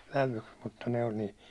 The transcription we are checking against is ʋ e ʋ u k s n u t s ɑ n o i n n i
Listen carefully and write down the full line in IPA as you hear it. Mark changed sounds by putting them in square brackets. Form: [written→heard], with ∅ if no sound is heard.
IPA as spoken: ʋ [e→æ] ʋ u k s [n→m] u t [s→t] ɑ n o i n n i